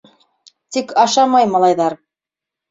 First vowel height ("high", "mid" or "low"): high